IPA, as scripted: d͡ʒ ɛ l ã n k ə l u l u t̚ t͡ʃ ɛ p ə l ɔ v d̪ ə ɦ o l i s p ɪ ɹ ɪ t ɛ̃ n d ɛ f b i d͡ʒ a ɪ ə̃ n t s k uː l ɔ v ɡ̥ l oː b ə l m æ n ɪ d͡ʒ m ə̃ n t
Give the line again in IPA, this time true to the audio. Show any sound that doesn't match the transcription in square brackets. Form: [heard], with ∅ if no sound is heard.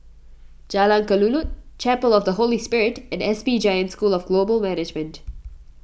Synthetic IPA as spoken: d͡ʒ [a] l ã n k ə l u l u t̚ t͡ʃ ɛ p ə l ɔ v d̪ ə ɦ o l i s p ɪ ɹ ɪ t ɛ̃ n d ɛ [s] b i d͡ʒ a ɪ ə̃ n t s k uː l ɔ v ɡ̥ l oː b ə l m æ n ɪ d͡ʒ m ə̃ n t